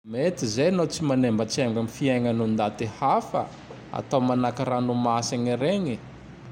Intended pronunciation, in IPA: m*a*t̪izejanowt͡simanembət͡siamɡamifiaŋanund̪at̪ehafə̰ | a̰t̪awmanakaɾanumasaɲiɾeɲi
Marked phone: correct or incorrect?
incorrect: e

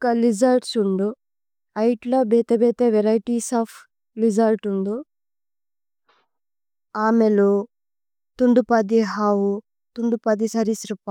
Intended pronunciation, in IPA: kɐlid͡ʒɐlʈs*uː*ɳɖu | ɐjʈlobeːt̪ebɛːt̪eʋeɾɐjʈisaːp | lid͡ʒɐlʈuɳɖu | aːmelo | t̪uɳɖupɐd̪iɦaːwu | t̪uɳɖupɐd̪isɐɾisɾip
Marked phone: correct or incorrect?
incorrect: u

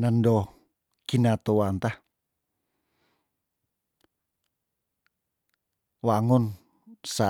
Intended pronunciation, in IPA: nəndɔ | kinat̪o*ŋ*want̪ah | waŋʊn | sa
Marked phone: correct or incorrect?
incorrect: none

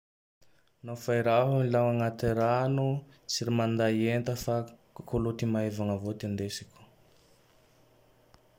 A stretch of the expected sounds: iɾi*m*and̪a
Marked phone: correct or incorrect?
correct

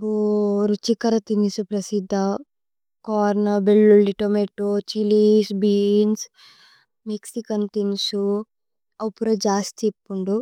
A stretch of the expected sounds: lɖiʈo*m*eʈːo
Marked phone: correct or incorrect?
correct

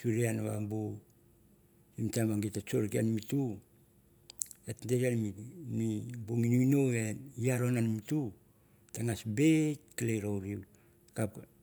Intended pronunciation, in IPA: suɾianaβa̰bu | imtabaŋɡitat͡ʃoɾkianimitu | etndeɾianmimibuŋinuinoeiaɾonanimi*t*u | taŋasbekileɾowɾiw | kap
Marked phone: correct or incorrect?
correct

